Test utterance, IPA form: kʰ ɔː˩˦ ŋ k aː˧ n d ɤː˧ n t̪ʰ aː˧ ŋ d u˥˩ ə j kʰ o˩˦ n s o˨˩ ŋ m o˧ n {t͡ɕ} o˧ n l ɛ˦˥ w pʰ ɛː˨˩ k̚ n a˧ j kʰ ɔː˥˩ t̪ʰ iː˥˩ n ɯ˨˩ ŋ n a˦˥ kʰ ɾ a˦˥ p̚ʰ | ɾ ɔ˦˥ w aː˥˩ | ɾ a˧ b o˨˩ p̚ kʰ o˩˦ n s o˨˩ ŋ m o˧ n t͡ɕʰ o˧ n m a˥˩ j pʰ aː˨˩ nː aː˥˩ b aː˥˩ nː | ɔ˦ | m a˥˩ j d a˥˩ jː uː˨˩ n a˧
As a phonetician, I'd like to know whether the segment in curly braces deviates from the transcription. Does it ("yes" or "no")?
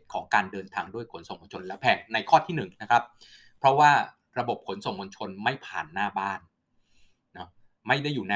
yes